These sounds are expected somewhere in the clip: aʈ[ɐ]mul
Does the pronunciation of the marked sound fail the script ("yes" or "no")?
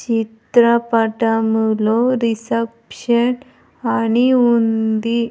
yes